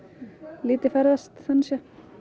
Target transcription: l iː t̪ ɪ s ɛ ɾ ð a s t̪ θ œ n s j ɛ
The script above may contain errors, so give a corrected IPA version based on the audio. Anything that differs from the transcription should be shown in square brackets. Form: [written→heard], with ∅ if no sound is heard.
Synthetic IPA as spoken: l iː t̪ ɪ [s→f] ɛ ɾ ð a s t̪ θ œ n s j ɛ

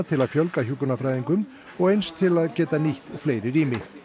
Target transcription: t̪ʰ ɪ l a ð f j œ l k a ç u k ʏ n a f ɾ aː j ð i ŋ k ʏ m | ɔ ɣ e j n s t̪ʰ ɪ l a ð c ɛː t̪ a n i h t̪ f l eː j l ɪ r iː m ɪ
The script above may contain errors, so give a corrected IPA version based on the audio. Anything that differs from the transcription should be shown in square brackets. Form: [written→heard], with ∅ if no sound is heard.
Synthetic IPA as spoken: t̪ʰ ɪ l a ð f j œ l k a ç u k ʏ n a f ɾ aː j ð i ŋ k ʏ m | ɔ ɣ e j n s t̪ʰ ɪ l a ð c ɛː t̪ a n i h t̪ f l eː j [l→ɾ] ɪ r iː m ɪ

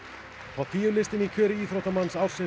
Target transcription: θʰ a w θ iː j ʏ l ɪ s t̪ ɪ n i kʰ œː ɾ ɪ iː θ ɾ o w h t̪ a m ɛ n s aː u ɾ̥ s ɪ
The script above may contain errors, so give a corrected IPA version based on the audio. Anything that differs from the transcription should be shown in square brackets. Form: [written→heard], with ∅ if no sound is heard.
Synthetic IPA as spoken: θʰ a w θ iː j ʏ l ɪ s t̪ ɪ n i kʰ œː ɾ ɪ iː θ ɾ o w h t̪ a m [ɛ→a] n s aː [u→w] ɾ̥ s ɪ

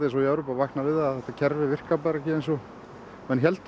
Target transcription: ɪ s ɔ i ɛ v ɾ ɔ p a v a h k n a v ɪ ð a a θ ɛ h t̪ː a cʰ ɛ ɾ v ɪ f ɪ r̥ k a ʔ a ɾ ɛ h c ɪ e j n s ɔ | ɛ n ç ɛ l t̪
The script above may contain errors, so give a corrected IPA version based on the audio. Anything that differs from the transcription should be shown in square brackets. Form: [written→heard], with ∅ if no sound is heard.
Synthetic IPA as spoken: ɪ s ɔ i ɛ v ɾ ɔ p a v a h k n a v ɪ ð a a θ ɛ h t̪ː a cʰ ɛ ɾ v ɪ [f→v] ɪ r̥ k a [ʔ→p] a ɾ ɛ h c ɪ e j n s ɔ | ɛ n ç ɛ l t̪

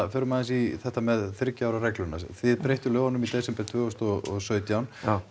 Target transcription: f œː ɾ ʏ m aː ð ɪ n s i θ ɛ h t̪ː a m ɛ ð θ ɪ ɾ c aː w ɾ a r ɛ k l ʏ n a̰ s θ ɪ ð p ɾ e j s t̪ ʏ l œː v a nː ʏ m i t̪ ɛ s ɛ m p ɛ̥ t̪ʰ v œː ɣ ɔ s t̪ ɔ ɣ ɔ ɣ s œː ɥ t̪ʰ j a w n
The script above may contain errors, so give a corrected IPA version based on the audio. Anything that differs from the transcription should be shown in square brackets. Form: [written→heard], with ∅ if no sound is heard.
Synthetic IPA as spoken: f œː ɾ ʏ m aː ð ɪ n s i θ ɛ h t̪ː a m ɛ ð θ ɪ ɾ c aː w ɾ a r ɛ k l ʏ n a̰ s θ ɪ ð p ɾ e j [s→h] t̪ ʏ l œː v a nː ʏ m i t̪ ɛ s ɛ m p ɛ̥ t̪ʰ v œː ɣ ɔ s t̪ ɔ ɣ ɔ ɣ s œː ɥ [t̪ʰ→t̪] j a w n

